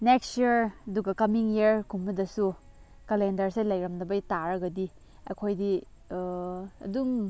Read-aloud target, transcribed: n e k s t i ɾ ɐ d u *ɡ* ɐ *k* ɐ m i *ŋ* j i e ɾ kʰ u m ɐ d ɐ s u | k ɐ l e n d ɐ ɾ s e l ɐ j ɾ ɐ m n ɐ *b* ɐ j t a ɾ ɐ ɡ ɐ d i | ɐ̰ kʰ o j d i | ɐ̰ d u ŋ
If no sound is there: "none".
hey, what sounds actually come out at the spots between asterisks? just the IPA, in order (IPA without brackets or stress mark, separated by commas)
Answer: ɡ, k, ŋ, b